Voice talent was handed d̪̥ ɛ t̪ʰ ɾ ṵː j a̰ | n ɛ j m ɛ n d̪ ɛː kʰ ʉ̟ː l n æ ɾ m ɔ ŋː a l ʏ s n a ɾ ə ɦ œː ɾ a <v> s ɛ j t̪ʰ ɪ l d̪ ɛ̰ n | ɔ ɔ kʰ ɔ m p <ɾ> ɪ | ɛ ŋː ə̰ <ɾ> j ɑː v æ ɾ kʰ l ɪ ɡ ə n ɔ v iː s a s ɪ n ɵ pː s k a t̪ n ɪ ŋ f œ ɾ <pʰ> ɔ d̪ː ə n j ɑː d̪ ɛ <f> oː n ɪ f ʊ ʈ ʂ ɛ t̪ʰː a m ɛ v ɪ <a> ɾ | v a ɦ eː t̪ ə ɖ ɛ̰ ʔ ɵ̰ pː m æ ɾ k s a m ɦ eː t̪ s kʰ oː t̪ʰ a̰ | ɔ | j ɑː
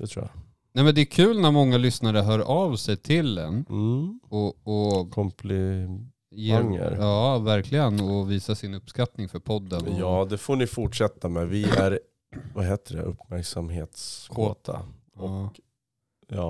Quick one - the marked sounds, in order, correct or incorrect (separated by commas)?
correct, incorrect, correct, correct, correct, incorrect